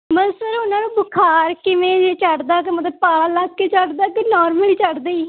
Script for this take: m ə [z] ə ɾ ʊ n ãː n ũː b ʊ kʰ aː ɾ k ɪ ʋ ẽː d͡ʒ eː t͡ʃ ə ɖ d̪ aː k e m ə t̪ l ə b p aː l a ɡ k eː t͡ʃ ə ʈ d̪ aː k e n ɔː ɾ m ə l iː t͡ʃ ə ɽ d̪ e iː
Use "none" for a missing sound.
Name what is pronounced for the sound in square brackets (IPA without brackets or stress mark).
s